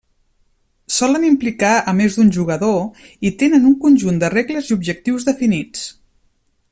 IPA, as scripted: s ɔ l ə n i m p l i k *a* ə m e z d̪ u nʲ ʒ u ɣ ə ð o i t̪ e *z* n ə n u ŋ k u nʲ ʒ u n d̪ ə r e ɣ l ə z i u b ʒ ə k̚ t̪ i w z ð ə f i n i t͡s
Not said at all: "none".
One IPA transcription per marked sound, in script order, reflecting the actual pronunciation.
a, none

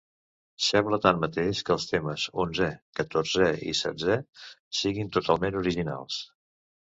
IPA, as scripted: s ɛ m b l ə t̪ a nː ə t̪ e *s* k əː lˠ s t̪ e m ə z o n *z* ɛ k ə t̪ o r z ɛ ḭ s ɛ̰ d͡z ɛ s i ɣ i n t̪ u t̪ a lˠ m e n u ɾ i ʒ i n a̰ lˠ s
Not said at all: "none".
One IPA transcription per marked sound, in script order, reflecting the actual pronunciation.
ʃ, z

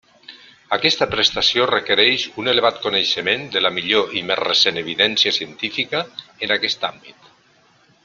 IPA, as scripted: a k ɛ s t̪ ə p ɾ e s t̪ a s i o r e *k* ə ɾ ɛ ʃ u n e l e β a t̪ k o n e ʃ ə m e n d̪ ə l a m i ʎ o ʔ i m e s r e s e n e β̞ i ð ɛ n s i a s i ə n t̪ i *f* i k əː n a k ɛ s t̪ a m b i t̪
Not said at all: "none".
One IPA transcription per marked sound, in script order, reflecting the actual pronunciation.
k, f

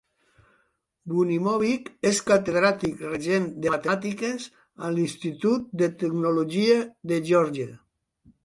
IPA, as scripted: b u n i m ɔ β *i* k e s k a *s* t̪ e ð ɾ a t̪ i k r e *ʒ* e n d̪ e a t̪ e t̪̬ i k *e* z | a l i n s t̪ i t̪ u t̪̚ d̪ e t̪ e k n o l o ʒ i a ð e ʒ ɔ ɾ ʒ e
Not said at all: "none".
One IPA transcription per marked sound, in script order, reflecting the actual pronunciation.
i, none, ʒ, e

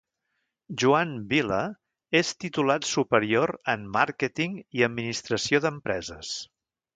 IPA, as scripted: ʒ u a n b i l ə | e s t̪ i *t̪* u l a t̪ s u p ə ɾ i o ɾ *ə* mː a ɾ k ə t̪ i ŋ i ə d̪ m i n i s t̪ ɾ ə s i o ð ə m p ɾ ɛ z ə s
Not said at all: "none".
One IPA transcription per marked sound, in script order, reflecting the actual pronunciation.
t̪, ə

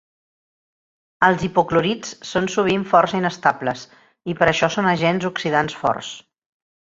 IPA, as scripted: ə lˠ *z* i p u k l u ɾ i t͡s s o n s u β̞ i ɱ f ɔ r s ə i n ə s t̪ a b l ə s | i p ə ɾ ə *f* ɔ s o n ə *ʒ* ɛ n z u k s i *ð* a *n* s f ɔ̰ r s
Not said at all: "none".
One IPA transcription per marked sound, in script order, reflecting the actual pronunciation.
z, ʃ, ʒ, ð, n

